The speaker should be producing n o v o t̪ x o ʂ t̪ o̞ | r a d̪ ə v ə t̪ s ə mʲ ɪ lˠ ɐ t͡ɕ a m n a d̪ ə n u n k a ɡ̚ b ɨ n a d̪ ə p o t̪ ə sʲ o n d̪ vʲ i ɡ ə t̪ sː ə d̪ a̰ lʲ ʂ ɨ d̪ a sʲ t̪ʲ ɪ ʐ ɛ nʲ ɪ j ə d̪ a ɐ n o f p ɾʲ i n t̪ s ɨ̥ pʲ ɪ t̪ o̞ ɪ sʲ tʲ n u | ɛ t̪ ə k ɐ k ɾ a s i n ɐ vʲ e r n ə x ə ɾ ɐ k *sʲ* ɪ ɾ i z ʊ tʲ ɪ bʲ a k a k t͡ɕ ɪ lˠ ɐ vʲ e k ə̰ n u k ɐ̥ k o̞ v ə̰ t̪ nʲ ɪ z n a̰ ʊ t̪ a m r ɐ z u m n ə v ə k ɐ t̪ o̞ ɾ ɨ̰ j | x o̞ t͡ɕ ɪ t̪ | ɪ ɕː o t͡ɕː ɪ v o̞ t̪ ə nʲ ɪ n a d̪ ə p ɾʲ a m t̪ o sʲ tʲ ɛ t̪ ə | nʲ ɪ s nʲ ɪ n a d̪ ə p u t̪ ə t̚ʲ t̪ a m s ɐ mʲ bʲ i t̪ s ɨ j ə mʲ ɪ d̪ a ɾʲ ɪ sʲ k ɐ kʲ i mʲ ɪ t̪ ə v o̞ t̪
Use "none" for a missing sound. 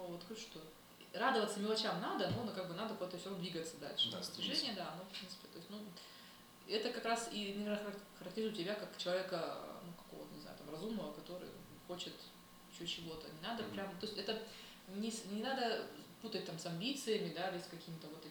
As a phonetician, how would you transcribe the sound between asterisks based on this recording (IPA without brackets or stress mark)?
tʲ